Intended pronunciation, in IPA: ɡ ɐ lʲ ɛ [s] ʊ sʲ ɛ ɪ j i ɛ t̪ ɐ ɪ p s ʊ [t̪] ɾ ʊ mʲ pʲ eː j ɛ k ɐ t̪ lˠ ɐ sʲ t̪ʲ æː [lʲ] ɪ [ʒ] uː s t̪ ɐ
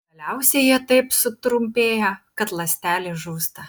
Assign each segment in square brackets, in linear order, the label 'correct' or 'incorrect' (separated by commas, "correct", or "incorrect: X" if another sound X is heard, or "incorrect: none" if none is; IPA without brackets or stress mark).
incorrect: none, correct, correct, correct